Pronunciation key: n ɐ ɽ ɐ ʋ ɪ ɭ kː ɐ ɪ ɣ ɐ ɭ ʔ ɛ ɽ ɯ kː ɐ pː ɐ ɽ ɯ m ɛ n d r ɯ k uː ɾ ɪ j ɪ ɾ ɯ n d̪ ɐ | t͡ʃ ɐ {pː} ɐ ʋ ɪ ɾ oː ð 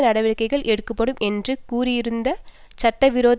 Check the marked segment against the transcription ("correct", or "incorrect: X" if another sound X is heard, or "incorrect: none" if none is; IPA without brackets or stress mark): incorrect: ʈː